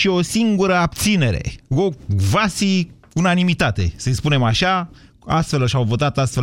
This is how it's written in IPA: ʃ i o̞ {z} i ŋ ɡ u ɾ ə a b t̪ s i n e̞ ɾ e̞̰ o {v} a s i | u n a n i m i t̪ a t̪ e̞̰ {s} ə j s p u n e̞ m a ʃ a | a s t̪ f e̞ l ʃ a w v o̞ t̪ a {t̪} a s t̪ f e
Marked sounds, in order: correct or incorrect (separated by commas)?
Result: incorrect, correct, correct, correct